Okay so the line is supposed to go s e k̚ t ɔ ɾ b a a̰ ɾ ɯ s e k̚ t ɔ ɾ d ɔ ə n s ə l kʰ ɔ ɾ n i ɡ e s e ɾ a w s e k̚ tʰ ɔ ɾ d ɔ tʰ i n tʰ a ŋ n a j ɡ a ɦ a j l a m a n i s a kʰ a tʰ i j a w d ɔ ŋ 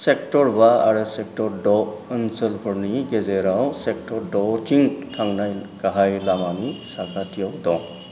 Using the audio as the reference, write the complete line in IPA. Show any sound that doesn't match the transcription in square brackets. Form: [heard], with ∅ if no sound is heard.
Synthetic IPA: s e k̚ t ɔ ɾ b a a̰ ɾ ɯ s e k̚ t ɔ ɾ d ɔ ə n s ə l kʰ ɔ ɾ n i ɡ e [z] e ɾ a w s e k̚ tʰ ɔ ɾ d ɔ tʰ i [ŋ] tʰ a ŋ n a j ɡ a ɦ a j l a m a n i s a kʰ a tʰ i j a w d ɔ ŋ